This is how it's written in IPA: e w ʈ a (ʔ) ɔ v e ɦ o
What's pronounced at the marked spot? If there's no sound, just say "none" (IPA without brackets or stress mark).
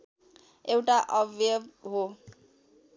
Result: ʔ